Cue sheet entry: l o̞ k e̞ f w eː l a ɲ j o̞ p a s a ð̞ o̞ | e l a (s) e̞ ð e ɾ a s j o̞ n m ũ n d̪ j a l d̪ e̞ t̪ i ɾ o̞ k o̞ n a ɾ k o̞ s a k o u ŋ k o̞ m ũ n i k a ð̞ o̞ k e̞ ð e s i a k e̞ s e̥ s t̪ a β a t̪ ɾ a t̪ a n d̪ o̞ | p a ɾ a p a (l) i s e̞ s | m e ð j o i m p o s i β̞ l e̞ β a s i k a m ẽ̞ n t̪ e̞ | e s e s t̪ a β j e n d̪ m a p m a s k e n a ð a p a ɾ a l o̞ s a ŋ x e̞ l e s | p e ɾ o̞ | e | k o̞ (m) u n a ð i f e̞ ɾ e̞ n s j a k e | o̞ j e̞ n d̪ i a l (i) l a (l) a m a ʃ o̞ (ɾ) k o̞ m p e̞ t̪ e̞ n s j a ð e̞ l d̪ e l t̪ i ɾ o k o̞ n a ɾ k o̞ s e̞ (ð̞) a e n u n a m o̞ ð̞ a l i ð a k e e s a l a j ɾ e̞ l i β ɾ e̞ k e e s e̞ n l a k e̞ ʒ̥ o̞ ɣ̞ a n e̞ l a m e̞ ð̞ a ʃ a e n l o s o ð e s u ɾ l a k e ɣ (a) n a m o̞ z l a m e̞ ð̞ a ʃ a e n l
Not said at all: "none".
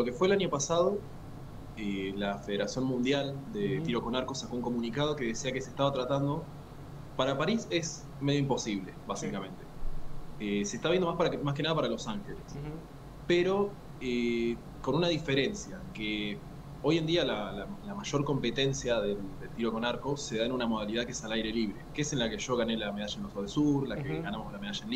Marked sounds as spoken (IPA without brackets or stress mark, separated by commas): f, ɾ, n, a, l, ɾ, ð̞, a